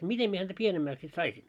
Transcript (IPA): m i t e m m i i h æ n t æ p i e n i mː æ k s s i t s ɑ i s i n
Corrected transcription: m i t e m m i e h æ n t æ p i e n e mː æ k s s i t s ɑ i s i n